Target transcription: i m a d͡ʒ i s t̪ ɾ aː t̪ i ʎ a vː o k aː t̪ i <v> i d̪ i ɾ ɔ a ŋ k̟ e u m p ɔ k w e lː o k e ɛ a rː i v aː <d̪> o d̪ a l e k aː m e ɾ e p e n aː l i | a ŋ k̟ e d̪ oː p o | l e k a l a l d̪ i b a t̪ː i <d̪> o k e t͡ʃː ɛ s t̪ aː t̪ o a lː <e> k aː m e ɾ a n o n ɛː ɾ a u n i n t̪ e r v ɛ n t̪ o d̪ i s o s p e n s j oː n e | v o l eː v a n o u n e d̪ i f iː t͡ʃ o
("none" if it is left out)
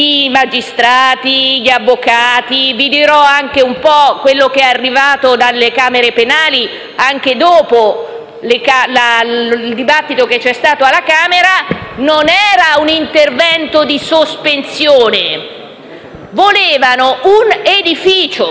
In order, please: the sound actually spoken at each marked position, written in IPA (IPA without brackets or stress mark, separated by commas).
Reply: v, t̪, t̪, a